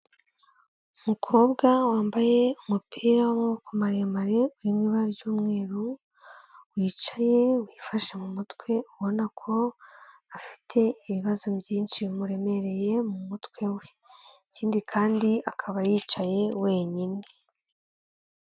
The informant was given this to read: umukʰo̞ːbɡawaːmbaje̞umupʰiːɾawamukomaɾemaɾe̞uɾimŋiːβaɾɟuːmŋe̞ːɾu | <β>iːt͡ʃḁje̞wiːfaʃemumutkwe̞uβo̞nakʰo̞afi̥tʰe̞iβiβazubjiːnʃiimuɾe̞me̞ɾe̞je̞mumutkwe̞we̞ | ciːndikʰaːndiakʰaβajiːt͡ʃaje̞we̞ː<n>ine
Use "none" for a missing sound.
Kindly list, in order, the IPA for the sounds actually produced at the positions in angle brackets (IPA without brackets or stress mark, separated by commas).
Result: w, ɲ